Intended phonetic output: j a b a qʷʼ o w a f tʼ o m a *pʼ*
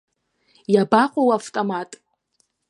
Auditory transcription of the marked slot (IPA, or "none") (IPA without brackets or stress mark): tʼ